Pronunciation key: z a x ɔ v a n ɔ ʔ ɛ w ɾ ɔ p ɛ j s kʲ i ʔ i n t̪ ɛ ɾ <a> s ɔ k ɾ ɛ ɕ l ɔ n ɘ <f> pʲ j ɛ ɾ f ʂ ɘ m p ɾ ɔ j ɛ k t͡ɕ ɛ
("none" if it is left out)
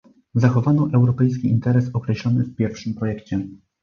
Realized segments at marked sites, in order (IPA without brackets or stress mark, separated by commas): ɛ, f